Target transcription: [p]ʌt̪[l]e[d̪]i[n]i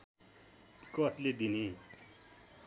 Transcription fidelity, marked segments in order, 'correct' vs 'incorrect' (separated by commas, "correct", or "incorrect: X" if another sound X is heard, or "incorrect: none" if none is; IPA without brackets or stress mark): incorrect: k, correct, correct, correct